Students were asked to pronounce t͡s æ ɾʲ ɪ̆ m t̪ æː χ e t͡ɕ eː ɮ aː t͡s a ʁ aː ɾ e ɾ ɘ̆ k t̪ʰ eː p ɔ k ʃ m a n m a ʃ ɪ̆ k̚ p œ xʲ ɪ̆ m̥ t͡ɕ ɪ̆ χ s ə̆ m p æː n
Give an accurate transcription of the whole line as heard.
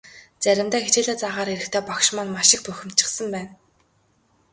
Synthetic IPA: t͡s æ ɾʲ ɪ̆ m t̪ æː x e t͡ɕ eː ɮ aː t͡s a ʁ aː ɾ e ɾ ɘ̆ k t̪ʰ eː p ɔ k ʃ m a n m a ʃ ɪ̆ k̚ p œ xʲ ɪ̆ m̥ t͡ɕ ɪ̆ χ s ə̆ m p æː n